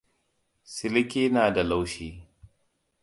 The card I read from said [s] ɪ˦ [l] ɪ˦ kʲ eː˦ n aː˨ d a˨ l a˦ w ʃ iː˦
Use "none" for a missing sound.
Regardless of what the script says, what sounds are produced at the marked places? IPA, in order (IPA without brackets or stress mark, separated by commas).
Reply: s, l